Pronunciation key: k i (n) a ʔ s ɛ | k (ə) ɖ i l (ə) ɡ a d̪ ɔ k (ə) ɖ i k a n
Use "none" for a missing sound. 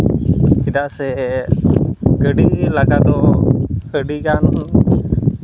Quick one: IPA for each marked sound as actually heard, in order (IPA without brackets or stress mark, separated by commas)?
d, ə, a, ə